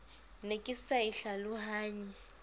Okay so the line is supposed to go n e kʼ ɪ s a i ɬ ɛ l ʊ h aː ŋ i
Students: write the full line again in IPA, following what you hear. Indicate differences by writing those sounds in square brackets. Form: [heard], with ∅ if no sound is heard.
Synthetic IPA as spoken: n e kʼ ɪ s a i ɬ [a] l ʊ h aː [ɲ] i